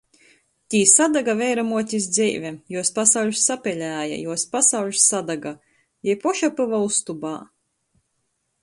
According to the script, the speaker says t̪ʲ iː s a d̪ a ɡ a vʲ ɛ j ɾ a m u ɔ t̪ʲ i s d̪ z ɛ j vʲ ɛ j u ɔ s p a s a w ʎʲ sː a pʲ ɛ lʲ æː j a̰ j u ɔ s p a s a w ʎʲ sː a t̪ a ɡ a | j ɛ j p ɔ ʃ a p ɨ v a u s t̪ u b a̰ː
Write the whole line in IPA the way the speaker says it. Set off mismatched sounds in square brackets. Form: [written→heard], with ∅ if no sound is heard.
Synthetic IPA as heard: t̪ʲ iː s a d̪ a ɡ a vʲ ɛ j ɾ a m u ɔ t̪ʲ i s d̪ z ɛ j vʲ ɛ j u ɔ s p a s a w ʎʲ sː a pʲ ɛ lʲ æː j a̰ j u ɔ s p a s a w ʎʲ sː a [t̪→d̪] a ɡ a | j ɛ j p ɔ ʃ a p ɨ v a u s t̪ u b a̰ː